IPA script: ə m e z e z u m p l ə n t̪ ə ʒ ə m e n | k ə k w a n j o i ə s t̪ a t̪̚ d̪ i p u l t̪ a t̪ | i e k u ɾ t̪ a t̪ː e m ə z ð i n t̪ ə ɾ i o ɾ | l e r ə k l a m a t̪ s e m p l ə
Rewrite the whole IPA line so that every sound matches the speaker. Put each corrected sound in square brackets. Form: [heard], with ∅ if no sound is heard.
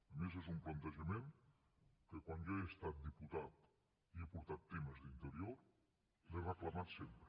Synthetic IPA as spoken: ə m e z e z u m p l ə n t̪ ə ʒ ə m e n | k ə k w a n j o [e] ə s t̪ a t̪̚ d̪ i p u [∅] t̪ a t̪ | i e [p] u ɾ t̪ a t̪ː e m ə z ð i n t̪ ə ɾ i o ɾ | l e r ə k l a m a t̪ s e m p [ɾ] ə